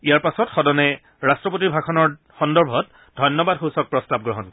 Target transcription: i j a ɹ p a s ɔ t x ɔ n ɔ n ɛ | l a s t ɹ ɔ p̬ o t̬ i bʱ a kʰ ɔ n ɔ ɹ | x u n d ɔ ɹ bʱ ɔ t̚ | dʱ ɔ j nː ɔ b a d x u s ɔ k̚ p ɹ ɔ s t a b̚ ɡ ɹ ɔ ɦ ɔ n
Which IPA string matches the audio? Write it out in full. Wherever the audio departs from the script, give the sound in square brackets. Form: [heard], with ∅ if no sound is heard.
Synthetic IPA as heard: i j a ɹ p a s ɔ t x ɔ [d] ɔ n ɛ | [ɹ] a s t ɹ ɔ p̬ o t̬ i bʱ a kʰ ɔ n ɔ ɹ | x [ɔ] n d ɔ ɹ bʱ ɔ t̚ | dʱ ɔ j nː ɔ b a d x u s ɔ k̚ p ɹ ɔ s t a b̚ ɡ ɹ ɔ ɦ ɔ n